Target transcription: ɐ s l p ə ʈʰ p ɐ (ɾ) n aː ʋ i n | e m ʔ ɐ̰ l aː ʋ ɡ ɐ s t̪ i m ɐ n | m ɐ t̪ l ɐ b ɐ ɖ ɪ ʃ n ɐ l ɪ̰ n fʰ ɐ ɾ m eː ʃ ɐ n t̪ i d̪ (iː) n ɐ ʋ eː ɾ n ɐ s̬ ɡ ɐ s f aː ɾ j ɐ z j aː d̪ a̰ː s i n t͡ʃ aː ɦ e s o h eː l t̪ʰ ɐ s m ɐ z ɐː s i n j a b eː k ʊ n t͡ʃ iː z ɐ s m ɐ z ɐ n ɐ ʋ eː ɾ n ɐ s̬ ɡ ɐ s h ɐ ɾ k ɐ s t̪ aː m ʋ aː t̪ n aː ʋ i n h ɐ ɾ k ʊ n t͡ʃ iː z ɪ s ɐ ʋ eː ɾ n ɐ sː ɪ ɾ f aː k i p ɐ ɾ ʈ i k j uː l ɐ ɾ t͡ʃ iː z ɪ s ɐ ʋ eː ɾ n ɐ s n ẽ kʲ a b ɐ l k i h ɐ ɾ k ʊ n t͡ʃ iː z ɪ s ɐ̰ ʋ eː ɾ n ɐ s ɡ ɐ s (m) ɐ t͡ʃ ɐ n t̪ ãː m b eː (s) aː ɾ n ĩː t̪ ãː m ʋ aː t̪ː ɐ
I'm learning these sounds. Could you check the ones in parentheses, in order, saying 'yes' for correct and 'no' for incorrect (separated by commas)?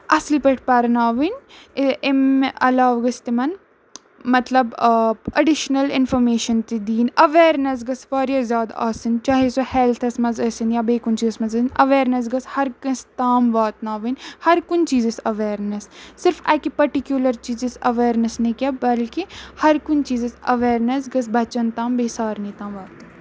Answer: yes, yes, no, yes